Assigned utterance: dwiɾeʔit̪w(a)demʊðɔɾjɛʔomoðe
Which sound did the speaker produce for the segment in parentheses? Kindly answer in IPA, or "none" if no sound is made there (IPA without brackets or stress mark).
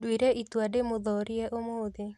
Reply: a